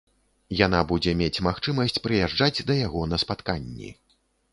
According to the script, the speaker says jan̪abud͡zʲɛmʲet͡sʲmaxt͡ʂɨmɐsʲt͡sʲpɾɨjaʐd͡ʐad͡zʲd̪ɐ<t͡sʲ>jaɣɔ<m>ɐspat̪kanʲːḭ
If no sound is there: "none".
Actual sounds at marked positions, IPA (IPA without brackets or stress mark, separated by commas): none, n